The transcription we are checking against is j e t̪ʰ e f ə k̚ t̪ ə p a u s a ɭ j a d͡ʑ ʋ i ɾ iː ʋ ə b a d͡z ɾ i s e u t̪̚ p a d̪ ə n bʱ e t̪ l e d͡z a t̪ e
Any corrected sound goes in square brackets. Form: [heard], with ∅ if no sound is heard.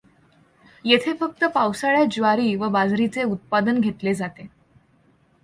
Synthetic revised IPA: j e t̪ʰ e f ə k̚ t̪ ə p a [w] s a ɭ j a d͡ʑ ʋ [a] ɾ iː ʋ ə b a d͡z ɾ i [t͡s] e u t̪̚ p a d̪ ə n [ɡʱ] e t̪ l e d͡z a t̪ e